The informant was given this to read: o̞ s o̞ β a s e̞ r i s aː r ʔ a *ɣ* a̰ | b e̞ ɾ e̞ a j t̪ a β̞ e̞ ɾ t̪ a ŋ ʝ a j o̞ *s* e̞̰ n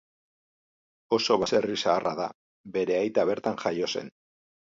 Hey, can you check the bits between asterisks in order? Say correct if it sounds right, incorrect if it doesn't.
incorrect, correct

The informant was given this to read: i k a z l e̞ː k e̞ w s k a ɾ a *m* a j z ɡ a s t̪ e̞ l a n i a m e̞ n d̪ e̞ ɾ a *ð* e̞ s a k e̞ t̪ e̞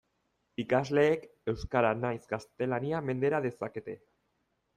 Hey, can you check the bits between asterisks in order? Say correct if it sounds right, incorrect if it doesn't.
incorrect, correct

